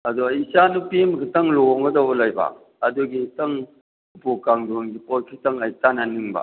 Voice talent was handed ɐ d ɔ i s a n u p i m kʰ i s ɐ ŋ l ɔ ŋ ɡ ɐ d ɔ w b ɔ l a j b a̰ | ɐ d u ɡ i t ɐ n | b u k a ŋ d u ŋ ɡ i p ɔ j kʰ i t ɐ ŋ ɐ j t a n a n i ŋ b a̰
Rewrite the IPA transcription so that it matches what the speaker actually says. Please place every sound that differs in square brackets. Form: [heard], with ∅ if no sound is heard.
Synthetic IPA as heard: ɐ d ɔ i s a n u p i m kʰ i [t] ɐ ŋ l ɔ ŋ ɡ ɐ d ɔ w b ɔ l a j b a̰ | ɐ d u ɡ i t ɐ [ŋ] | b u k a ŋ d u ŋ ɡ i p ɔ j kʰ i t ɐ ŋ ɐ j t a n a n i ŋ b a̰

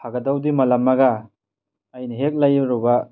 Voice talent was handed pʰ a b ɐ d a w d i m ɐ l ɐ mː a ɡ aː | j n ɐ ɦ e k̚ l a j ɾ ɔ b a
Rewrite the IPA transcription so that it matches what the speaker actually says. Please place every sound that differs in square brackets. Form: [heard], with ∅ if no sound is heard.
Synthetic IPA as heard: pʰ a [ɡ] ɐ d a w d i m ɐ l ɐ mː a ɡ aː | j n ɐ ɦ e k̚ l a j ɾ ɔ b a

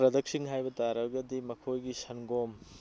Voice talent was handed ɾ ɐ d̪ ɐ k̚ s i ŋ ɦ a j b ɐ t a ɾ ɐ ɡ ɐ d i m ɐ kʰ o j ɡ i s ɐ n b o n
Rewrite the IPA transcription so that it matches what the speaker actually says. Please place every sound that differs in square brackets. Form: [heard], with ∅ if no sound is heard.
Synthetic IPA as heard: ɾ ɐ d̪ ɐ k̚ s i ŋ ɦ a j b ɐ t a ɾ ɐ ɡ ɐ d i m ɐ kʰ o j ɡ i s ɐ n [ɡ] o [m]

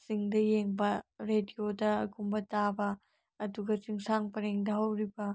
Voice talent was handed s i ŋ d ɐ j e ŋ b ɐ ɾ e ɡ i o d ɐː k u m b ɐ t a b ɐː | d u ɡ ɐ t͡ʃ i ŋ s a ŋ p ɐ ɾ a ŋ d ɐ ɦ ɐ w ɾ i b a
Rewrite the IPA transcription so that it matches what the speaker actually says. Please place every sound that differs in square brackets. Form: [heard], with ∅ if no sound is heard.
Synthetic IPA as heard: s i ŋ d ɐ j e ŋ b ɐ ɾ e [d] i o d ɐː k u m b ɐ t a b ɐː | d u ɡ ɐ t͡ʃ i ŋ s a ŋ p ɐ ɾ [e] ŋ d ɐ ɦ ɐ w ɾ i b [ɐ]

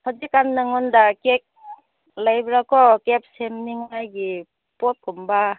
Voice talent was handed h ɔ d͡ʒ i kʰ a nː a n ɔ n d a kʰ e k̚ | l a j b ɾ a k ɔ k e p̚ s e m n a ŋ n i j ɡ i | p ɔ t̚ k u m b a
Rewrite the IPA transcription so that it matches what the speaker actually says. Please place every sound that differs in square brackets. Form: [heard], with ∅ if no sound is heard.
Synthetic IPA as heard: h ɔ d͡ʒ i [k] a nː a [ŋ] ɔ n d a [k] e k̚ | l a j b ɾ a k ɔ k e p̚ s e m n [i] ŋ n [a] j ɡ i | p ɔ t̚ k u m b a

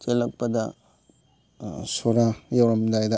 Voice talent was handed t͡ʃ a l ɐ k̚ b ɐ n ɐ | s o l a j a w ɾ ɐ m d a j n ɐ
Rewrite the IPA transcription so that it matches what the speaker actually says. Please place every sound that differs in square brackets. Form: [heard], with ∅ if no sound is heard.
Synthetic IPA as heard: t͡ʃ [e] l ɐ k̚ [p] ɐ [d] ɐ | s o [ɾ] a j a w ɾ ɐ m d a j [d] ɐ

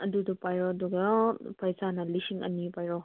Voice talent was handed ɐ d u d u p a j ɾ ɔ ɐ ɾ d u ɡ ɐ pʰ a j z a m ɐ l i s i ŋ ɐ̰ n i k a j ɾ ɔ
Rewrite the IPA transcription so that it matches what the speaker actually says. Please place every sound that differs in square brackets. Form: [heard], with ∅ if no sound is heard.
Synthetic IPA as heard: ɐ d u d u p a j ɾ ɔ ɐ [∅] d u ɡ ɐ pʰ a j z a [n] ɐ l i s i ŋ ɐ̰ n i [p] a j ɾ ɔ

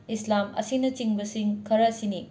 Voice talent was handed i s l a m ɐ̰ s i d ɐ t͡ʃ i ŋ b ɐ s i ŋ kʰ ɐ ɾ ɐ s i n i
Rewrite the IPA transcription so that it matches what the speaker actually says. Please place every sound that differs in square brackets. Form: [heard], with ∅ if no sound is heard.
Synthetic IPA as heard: i s l a m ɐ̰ s i [n] ɐ t͡ʃ i ŋ b ɐ s i ŋ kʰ ɐ ɾ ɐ s i n i

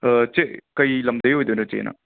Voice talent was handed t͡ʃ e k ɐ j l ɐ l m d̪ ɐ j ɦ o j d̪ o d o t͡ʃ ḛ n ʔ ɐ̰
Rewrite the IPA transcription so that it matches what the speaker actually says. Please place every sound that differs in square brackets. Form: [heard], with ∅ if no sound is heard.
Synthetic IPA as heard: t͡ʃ e k ɐ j l ɐ [∅] m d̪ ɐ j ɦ o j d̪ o [n] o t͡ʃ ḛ n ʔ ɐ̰

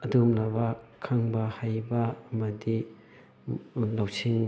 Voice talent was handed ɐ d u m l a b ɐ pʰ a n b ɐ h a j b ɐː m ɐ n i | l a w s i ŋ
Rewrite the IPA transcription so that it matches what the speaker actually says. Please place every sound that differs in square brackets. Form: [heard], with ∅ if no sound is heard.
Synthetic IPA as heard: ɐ d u m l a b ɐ [kʰ] a [ŋ] b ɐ h a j b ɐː m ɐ [d] i | l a w s i ŋ

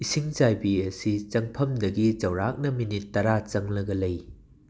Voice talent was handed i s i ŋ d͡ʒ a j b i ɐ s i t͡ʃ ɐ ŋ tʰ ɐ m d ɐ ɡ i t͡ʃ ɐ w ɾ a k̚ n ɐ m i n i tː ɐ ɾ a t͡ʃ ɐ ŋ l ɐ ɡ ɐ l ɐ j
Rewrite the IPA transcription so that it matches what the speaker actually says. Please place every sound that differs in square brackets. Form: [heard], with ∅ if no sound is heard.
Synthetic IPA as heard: i s i ŋ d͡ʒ a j b i ɐ s i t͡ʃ ɐ ŋ [pʰ] ɐ m d ɐ ɡ i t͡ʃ ɐ w ɾ a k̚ n ɐ m i n i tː ɐ ɾ a t͡ʃ ɐ ŋ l ɐ ɡ ɐ l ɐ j

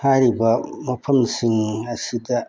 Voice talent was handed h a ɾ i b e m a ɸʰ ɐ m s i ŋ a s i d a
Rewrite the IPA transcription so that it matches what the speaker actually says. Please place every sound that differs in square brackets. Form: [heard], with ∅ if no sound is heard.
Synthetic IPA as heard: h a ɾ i b [a] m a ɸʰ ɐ m s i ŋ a s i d a

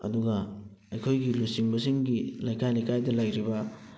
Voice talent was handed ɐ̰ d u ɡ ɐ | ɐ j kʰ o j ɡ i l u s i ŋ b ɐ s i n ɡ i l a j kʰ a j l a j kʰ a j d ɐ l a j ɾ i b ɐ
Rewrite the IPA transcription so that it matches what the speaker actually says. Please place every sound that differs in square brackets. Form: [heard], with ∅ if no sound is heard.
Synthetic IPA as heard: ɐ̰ d u ɡ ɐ | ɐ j kʰ o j ɡ i l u s i ŋ b ɐ s i [ŋ] ɡ i l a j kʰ a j l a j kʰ a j d ɐ l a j ɾ i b ɐ

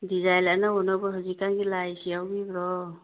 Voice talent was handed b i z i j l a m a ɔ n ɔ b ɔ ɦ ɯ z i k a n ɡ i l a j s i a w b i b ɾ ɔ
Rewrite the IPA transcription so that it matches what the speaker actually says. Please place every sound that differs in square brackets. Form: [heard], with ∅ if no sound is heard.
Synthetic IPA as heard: [d] i z [a] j l a [n] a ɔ n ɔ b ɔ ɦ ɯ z i k a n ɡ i l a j s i a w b i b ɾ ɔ

